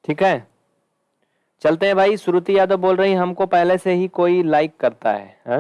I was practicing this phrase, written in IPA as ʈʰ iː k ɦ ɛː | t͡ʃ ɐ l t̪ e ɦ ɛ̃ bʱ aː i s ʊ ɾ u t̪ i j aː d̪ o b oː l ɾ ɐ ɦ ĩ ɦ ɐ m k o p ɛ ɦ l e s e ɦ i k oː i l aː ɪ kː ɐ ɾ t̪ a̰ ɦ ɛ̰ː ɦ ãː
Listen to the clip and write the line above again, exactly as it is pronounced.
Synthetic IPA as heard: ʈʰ iː k ɦ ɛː | t͡ʃ ɐ l t̪ e ɦ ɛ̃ bʱ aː i s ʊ ɾ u t̪ i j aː d̪ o b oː l ɾ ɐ ɦ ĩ ɦ ɐ m k o p ɛ ɦ l e s e ɦ i k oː i l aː ɪ kː ɐ ɾ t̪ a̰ ɦ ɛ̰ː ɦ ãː